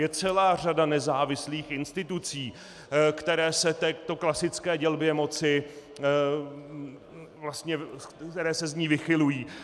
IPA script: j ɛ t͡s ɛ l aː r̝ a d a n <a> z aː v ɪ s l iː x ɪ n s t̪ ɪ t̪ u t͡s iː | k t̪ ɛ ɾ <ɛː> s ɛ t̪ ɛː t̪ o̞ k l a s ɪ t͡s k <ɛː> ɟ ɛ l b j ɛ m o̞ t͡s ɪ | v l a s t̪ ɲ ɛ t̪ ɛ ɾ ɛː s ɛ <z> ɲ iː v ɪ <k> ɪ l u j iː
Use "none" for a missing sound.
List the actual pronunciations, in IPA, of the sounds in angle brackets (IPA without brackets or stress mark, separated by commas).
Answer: ɛ, ɛː, ɛː, z, x